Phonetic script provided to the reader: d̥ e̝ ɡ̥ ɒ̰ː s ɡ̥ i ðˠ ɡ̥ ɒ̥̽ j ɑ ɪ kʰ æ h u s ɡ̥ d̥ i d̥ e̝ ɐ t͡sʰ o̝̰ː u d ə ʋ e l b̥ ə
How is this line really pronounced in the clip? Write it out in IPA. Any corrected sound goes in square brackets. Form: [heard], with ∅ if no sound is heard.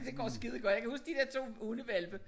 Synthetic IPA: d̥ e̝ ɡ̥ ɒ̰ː s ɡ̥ i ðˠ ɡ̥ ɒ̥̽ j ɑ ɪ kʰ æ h u s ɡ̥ d̥ i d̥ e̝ ɐ t͡sʰ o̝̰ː u [n] ə ʋ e l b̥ ə